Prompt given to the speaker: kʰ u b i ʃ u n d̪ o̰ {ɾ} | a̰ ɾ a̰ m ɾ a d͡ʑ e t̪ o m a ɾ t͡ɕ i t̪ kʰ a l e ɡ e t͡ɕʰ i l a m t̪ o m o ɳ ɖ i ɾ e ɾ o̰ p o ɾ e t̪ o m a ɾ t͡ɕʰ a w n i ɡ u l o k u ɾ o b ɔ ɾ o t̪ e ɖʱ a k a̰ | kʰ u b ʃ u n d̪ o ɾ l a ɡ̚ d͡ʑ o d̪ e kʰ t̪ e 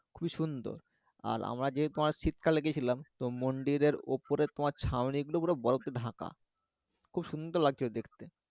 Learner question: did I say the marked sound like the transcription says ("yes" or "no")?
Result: yes